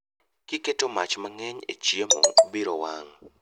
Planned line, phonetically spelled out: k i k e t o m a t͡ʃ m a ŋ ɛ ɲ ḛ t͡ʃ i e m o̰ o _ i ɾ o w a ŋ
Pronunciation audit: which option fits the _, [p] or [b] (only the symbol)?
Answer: b